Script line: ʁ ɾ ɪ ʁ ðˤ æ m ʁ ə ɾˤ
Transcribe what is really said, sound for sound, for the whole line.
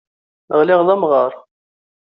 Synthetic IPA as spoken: ʁ l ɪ ʁ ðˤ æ m ʁ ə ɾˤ